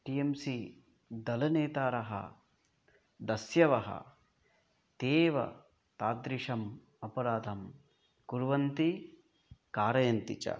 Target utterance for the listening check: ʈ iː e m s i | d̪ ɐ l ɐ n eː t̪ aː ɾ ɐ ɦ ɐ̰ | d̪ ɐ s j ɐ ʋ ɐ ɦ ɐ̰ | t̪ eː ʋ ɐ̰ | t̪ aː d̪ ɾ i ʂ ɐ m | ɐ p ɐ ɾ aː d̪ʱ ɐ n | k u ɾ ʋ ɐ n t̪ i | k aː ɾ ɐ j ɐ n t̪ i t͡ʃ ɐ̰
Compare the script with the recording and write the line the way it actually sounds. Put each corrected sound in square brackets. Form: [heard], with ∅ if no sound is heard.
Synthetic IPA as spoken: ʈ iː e m s i | d̪ ɐ l ɐ n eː t̪ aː ɾ ɐ ɦ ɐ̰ | d̪ ɐ s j ɐ ʋ ɐ ɦ ɐ̰ | t̪ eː ʋ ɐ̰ | t̪ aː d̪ ɾ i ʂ ɐ m | ɐ p ɐ ɾ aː d̪ʱ ɐ [m] | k u ɾ ʋ ɐ n t̪ i | k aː ɾ ɐ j ɐ n t̪ i t͡ʃ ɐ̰